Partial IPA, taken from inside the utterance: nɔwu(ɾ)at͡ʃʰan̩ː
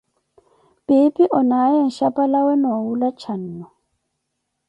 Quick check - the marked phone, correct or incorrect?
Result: incorrect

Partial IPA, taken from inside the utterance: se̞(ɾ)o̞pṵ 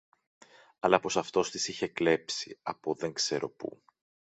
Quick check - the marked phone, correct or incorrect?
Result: correct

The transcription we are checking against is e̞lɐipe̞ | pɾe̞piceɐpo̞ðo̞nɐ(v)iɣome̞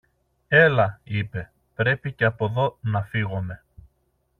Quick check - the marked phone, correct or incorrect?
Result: incorrect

